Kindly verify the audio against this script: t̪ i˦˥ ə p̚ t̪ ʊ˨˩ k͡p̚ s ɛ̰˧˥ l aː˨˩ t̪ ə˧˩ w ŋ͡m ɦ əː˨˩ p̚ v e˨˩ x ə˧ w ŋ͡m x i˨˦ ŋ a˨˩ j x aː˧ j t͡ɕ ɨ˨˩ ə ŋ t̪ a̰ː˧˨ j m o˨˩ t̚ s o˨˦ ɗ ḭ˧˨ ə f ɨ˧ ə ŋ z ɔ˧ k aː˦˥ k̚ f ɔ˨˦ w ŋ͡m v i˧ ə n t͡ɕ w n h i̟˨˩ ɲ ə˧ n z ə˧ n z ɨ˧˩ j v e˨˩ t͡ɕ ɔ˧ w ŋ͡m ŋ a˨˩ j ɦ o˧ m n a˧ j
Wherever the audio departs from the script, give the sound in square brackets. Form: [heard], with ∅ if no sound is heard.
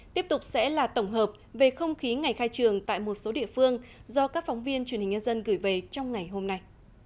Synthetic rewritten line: t̪ i˦˥ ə p̚ t̪ ʊ˨˩ k͡p̚ s ɛ̰˧˥ l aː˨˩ t̪ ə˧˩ w ŋ͡m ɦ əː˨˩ p̚ v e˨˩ x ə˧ w ŋ͡m x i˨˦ ŋ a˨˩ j x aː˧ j t͡ɕ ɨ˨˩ ə ŋ t̪ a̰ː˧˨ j m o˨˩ t̚ s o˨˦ ɗ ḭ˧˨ ə f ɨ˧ ə ŋ z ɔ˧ k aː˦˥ k̚ f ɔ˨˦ w ŋ͡m v i˧ ə n t͡ɕ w n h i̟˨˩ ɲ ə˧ n z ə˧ n [ɣ] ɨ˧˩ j v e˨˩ t͡ɕ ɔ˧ w ŋ͡m ŋ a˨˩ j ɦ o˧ m n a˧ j